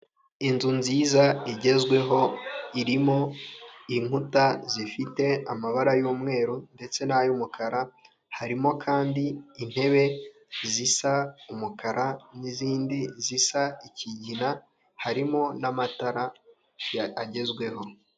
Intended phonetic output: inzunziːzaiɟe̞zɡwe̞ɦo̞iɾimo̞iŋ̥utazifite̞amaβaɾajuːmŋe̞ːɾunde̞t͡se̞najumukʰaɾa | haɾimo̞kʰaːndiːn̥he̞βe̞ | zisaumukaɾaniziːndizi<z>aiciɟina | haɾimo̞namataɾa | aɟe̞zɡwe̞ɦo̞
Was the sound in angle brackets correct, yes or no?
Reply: no